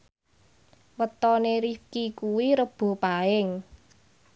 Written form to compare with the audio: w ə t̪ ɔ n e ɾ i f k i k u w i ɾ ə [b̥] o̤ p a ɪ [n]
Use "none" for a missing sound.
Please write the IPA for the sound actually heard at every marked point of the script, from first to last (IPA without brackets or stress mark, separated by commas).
b̥, ŋ